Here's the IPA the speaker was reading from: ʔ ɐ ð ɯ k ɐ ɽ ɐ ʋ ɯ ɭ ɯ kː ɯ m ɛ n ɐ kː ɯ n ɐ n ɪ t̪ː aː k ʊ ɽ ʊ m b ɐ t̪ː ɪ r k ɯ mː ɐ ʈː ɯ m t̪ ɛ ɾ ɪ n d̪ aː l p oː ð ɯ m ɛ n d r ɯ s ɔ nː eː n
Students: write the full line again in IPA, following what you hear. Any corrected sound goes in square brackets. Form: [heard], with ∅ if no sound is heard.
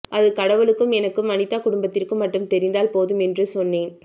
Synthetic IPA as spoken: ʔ ɐ ð ɯ k ɐ ɽ ɐ ʋ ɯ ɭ ɯ kː ɯ m ɛ n ɐ kː ɯ [m] ɐ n ɪ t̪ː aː k ʊ ɽ ʊ m b ɐ t̪ː ɪ r k ɯ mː ɐ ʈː ɯ m t̪ ɛ ɾ ɪ n d̪ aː l p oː ð ɯ m ɛ n d r ɯ s ɔ nː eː n

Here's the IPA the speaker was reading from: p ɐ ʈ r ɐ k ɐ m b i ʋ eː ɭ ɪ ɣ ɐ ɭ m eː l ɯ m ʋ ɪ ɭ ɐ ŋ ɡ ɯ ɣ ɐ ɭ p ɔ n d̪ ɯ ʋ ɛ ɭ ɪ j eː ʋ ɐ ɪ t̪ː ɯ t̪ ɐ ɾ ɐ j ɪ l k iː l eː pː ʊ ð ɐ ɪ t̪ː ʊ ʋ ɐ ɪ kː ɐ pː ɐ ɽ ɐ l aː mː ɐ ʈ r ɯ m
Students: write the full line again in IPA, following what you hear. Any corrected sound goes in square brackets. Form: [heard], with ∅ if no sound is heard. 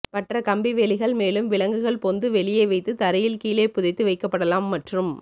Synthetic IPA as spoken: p ɐ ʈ r ɐ k ɐ m b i ʋ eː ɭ ɪ ɣ ɐ ɭ m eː l ɯ m ʋ ɪ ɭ ɐ ŋ ɡ ɯ ɣ ɐ ɭ p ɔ n d̪ ɯ ʋ ɛ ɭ ɪ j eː ʋ ɐ ɪ t̪ː ɯ t̪ ɐ ɾ ɐ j ɪ l k iː l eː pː ʊ ð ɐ ɪ t̪ː [ɯ] ʋ ɐ ɪ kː ɐ pː ɐ ɽ ɐ l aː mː ɐ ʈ r ɯ m

